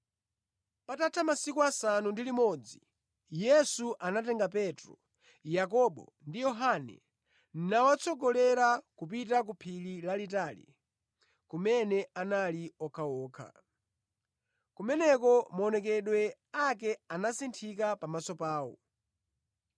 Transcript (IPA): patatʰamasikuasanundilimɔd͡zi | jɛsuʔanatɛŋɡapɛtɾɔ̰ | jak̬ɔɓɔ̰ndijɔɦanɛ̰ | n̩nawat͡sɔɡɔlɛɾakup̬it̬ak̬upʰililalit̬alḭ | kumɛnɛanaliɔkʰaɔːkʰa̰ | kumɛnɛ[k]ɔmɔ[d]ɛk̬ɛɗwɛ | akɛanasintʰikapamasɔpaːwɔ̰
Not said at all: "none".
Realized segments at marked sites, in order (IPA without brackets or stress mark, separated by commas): k, n